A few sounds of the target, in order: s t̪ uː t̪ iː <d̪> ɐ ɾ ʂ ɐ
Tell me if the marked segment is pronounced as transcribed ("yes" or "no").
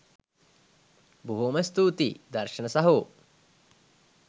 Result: yes